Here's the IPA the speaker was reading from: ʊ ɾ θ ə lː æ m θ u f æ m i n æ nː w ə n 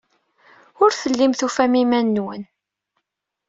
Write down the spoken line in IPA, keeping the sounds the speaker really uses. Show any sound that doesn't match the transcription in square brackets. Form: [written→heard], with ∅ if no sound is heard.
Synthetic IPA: ʊ ɾ θ ə lː [æ→i] m θ u f æ m i [n→m] æ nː w ə n

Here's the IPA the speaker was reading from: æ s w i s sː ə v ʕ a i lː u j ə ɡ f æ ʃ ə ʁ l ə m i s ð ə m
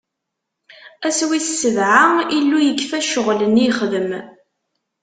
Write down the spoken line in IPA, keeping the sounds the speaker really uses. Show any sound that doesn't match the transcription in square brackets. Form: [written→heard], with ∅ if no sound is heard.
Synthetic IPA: æ s w i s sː ə v ʕ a i lː u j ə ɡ f æ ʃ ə ʁ l ə [m→n] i [s→χ] ð ə m

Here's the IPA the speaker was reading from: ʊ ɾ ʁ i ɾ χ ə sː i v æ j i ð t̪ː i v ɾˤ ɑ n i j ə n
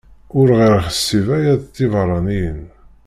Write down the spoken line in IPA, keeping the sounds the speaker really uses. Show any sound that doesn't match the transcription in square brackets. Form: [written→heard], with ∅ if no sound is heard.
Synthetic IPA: ʊ ɾ ʁ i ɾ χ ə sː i v æ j [i→æ] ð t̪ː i v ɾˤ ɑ n i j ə n

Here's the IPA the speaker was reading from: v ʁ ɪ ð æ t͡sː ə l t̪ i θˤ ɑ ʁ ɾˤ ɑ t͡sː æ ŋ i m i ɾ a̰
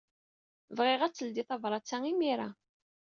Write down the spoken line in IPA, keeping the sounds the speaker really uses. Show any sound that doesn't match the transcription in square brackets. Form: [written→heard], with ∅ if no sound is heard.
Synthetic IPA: v ʁ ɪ [ð→ʁ] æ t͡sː ə l [t̪→d̪] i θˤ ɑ [ʁ→v] ɾˤ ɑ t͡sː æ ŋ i m i ɾ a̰

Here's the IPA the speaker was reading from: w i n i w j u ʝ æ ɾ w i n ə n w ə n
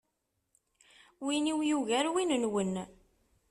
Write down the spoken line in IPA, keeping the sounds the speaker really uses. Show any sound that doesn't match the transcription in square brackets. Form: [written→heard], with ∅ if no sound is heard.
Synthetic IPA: w i n i w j u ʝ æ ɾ w i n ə n w ə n

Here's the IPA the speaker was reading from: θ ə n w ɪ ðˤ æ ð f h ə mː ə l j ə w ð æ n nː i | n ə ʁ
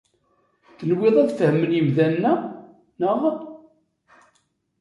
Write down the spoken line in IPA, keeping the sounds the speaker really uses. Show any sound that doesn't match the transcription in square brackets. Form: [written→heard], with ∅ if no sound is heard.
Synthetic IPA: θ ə n w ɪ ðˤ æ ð f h ə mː ə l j ə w ð æ n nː [i→æ] | n ə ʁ

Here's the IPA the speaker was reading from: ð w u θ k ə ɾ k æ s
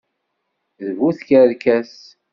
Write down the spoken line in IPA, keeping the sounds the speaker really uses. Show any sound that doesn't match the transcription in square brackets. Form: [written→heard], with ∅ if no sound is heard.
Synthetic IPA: ð [w→v] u θ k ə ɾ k æ s

